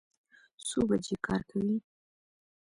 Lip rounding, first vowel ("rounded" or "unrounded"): rounded